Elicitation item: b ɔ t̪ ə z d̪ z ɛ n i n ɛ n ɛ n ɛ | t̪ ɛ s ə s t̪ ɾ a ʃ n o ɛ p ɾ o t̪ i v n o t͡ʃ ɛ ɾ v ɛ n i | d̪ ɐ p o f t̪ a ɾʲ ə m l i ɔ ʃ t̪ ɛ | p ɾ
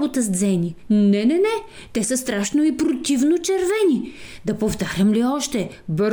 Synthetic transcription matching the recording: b o t̪ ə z d̪ z ɛ n i n ɛ n ɛ n ɛ | t̪ ɛ s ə s t̪ ɾ a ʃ n o i p ɾ o t̪ i v n o t͡ʃ ɛ ɾ v ɛ n i | d̪ ɐ p o f t̪ a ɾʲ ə m l i ɔ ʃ t̪ ɛ | b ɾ